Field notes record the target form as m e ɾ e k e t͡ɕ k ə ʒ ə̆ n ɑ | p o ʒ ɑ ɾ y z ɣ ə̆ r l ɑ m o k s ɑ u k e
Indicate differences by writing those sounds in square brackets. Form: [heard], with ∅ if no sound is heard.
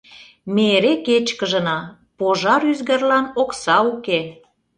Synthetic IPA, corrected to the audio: m e ɾ e k e t͡ɕ k ə ʒ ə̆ n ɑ | p o ʒ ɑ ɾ y z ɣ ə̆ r l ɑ [n] o k s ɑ u k e